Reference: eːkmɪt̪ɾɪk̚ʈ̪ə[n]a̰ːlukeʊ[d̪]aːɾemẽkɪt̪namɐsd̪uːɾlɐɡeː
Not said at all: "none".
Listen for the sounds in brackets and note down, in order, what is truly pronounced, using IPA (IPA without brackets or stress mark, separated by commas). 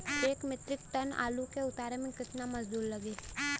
n, t̪